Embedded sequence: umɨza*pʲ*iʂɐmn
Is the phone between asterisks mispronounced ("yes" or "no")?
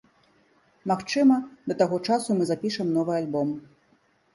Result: no